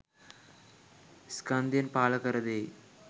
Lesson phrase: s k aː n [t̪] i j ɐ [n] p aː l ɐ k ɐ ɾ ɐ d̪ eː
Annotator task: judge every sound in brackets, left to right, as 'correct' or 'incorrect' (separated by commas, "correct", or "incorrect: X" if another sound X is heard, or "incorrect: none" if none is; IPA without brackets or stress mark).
incorrect: d̪, correct